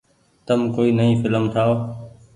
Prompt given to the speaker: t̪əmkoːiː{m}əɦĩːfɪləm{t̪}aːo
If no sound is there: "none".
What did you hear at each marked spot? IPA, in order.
n, t̪ʰ

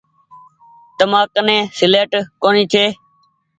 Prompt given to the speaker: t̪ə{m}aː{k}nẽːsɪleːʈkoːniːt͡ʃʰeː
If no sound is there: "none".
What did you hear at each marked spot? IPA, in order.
m, k

